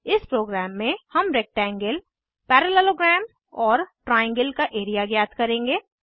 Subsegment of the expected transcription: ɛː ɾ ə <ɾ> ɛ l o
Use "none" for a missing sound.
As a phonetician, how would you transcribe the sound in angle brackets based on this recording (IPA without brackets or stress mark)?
l